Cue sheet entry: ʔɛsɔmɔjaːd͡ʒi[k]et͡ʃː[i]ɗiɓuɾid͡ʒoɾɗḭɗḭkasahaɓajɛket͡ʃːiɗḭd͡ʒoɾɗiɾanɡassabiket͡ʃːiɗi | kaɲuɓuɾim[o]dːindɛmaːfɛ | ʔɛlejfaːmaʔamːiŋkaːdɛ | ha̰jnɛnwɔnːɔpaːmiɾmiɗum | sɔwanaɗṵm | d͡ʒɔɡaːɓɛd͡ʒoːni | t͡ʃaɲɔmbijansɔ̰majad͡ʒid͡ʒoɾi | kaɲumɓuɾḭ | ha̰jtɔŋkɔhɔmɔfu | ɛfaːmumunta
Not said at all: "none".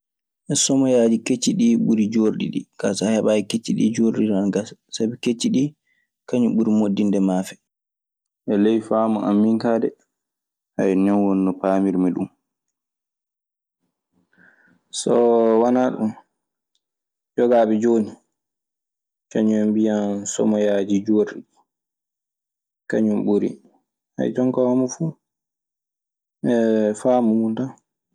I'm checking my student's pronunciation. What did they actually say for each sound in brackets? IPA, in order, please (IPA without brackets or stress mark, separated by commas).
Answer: k, i, o